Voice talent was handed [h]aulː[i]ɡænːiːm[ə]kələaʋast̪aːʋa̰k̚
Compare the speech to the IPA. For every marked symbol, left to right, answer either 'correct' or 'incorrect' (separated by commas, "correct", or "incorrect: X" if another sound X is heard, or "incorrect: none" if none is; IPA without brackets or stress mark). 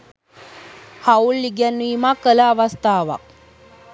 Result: correct, correct, incorrect: a